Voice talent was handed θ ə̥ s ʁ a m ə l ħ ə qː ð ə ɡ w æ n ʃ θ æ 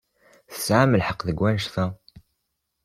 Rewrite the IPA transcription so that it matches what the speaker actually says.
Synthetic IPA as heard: θ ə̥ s ʕ a m ə l ħ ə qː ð ə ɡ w æ n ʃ θ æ